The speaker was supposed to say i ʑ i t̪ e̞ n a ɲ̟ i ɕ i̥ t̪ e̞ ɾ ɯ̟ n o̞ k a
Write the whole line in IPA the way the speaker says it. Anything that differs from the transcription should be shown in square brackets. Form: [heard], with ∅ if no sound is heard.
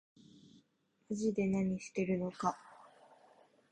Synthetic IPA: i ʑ i [d̪] e̞ n a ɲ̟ i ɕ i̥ t̪ e̞ ɾ ɯ̟ n o̞ k a